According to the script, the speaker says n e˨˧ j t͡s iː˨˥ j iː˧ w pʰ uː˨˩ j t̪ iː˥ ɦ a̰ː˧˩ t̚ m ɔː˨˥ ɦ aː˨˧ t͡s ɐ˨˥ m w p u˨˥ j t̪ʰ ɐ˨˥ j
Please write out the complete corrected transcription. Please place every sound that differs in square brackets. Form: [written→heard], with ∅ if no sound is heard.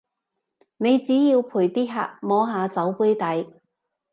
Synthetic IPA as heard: n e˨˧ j t͡s iː˨˥ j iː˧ w pʰ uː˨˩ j t̪ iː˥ ɦ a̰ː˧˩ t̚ m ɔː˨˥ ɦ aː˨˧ t͡s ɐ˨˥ [m→∅] w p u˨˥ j [t̪ʰ→t̪] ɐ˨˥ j